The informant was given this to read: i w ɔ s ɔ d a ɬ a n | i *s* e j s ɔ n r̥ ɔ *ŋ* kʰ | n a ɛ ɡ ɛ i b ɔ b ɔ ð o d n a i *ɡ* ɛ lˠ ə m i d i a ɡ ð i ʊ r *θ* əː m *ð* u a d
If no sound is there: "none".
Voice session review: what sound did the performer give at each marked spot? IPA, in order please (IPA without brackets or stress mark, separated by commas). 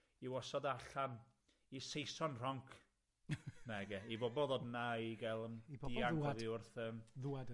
s, ŋ, ɡ, θ, ð